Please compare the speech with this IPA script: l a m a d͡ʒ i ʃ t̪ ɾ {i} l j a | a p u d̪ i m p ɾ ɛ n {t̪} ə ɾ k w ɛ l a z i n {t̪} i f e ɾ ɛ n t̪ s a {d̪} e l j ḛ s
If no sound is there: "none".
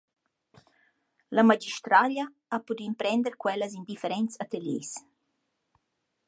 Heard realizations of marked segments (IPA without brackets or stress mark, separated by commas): a, d̪, d̪, t̪